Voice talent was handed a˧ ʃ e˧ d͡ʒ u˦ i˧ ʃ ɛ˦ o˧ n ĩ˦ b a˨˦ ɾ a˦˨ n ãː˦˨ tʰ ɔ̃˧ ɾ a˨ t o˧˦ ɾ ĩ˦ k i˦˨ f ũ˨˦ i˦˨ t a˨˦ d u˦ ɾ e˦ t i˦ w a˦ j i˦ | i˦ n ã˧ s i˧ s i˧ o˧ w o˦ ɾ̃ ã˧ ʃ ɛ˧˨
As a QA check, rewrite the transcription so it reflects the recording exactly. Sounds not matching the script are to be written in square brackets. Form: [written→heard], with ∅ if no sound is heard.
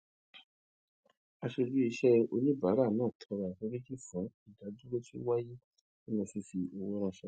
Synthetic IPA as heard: a˧ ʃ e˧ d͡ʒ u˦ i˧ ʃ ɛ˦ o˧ n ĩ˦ b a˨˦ ɾ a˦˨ n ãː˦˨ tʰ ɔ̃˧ ɾ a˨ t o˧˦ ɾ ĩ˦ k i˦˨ f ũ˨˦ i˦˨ [t→d] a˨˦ d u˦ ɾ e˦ t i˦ w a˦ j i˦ | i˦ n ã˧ s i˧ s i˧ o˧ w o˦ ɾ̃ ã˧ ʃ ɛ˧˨